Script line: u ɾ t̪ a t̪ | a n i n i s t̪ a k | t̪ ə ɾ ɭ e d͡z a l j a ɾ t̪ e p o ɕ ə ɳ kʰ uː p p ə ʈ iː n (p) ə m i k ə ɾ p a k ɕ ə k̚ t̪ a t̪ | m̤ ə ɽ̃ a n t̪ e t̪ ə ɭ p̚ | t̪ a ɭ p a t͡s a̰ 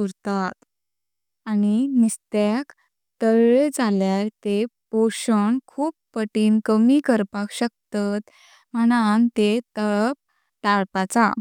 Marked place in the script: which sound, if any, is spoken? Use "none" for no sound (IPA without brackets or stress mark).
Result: k